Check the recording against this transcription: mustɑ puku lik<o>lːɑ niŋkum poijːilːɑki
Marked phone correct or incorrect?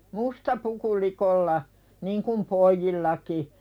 correct